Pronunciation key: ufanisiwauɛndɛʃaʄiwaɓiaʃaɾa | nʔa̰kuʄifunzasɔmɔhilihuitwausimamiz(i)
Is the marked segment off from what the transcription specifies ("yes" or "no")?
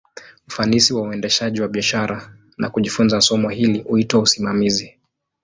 no